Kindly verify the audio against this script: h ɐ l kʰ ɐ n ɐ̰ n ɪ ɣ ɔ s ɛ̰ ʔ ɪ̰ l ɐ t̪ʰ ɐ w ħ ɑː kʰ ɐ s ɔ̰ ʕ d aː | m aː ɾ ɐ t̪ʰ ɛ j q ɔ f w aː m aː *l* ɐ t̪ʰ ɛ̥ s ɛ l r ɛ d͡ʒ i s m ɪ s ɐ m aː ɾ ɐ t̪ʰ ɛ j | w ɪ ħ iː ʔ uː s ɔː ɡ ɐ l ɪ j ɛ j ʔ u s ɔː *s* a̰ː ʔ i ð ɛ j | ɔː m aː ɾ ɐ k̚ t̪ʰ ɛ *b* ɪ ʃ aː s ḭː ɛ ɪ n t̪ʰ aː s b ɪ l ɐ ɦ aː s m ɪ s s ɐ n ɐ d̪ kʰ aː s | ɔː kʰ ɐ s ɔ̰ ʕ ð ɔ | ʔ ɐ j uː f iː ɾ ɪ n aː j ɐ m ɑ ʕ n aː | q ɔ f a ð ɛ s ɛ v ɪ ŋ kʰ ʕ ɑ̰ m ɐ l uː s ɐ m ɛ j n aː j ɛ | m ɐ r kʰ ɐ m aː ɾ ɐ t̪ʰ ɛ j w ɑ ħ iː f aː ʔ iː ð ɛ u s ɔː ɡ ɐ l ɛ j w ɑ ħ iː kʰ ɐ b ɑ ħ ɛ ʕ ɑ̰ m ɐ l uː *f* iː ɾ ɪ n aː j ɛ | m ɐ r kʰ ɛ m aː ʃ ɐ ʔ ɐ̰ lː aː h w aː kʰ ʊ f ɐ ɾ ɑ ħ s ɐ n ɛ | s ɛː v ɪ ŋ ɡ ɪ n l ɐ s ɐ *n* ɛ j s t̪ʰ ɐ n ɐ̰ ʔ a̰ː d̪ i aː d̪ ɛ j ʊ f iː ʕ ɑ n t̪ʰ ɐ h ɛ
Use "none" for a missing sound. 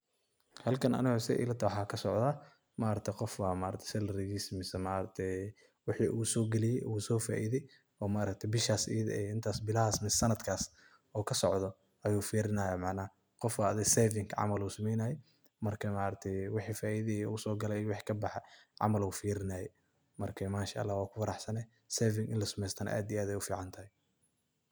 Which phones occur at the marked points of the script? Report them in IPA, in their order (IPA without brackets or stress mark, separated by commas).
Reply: ɾ, f, b, f, m